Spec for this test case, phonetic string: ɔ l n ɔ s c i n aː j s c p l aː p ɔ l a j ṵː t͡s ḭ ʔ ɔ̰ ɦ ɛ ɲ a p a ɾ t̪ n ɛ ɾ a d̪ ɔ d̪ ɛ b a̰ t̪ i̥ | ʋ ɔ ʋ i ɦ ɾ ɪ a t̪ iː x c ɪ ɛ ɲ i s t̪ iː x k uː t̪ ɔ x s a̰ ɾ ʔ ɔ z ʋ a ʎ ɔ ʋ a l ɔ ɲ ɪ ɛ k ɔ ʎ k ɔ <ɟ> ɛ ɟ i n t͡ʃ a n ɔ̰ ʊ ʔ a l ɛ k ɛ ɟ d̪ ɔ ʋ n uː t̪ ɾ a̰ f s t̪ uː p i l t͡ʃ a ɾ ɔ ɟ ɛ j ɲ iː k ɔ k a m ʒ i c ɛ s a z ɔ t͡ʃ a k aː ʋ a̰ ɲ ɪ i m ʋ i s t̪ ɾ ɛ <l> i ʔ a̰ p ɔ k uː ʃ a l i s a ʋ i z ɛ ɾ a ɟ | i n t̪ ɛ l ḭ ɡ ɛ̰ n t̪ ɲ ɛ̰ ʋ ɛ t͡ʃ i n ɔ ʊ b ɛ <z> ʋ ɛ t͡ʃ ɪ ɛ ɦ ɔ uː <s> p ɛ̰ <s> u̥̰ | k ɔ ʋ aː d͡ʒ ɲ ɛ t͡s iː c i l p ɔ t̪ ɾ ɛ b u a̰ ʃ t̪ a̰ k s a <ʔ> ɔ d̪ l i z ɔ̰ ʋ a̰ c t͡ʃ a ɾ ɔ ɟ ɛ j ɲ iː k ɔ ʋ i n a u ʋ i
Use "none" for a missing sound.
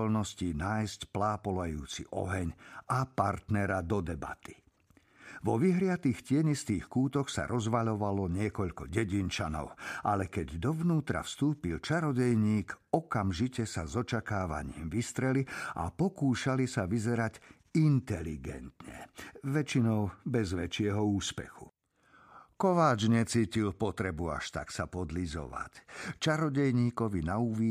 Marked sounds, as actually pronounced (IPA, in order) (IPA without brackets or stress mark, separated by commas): ɟ, l, z, s, x, p